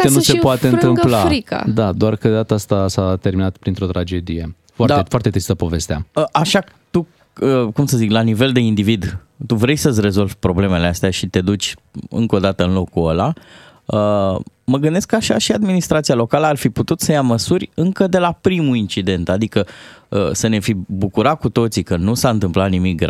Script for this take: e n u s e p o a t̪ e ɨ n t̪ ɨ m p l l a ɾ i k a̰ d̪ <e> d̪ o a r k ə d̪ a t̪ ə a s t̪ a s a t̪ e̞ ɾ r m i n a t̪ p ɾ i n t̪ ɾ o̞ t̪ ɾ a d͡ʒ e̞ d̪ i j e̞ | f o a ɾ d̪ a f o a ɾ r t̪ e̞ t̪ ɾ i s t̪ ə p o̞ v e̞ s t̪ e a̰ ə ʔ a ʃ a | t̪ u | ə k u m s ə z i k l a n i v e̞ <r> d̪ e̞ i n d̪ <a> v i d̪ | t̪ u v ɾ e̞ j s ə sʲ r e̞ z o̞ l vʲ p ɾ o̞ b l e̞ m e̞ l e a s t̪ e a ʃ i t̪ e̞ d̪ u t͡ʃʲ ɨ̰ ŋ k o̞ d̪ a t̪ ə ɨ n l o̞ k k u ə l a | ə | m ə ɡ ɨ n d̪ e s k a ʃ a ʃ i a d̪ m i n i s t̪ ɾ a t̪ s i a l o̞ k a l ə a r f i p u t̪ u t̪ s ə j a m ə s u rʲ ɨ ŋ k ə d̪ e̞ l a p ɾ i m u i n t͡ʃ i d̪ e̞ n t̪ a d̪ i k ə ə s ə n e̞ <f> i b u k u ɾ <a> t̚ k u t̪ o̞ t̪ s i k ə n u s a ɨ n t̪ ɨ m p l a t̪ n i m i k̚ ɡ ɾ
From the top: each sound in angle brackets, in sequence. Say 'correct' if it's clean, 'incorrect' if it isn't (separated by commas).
incorrect, incorrect, incorrect, correct, correct